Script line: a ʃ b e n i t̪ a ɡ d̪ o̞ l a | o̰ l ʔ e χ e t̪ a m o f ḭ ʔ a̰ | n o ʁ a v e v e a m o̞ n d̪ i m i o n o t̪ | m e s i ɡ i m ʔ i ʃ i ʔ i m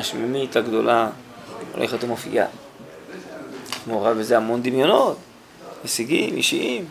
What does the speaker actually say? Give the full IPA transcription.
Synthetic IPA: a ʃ m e m i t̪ a ɡ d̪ o̞ l a | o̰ l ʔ e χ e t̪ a m o f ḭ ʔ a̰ | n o ʁ a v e z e a m o̞ n d̪ i m j o n o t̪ | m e s i ɡ i m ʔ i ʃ i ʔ i m